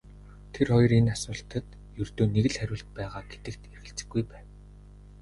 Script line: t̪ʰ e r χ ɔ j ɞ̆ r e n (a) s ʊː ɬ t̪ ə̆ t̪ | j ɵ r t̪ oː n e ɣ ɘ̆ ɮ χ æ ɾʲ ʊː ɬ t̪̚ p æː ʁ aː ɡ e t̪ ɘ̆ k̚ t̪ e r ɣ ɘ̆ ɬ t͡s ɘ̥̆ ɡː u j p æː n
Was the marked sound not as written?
no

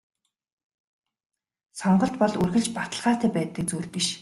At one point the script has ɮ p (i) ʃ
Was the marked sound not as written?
no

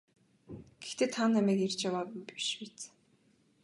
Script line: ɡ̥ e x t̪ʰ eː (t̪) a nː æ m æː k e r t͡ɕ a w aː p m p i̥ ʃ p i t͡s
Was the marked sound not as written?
yes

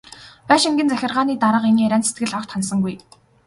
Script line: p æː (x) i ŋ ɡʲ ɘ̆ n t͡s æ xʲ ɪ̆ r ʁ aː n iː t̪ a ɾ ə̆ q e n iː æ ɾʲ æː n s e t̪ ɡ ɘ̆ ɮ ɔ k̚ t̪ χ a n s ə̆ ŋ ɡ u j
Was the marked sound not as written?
yes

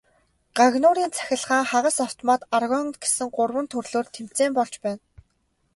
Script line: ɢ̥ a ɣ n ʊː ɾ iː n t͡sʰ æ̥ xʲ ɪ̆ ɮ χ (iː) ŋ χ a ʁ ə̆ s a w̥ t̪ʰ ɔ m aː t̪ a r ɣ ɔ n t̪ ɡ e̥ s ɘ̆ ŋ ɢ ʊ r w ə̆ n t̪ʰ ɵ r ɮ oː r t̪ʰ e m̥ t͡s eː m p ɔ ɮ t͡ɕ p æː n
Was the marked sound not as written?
yes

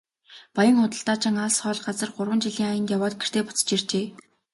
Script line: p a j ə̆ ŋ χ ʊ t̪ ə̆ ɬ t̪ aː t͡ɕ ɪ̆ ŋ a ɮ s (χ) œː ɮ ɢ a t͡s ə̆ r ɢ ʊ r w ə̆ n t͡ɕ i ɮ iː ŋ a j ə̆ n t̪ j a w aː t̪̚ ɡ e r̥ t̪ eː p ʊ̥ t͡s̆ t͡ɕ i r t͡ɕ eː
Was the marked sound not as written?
no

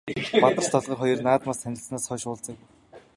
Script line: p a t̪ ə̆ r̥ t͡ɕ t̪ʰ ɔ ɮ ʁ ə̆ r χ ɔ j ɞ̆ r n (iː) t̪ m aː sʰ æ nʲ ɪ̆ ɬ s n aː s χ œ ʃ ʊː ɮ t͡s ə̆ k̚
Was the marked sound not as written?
yes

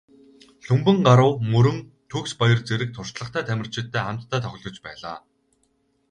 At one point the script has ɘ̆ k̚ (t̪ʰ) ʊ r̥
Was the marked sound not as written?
no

